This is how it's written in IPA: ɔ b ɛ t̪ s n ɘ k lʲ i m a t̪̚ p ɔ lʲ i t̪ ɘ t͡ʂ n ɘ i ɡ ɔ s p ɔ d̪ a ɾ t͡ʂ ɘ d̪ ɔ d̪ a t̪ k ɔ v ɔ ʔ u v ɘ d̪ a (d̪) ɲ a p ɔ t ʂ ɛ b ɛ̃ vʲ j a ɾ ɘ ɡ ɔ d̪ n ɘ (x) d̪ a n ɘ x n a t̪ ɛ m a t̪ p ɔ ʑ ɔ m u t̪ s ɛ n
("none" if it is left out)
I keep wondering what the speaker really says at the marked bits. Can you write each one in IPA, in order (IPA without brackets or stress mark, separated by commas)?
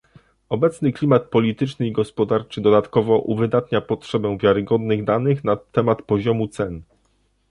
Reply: t̪, ɣ